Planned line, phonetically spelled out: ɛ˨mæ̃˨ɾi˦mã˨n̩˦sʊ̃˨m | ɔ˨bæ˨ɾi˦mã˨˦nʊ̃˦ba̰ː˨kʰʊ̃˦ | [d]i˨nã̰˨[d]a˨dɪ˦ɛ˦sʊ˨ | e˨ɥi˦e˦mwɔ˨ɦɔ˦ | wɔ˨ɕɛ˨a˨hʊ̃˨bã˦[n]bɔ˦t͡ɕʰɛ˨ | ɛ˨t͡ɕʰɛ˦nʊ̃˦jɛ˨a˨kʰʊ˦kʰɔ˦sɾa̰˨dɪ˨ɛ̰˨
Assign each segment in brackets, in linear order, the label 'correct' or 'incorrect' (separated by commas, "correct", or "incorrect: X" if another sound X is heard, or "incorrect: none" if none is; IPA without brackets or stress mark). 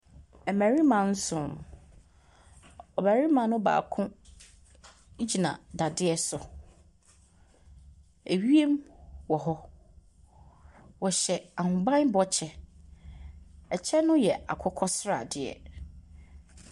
incorrect: d͡ʑ, correct, correct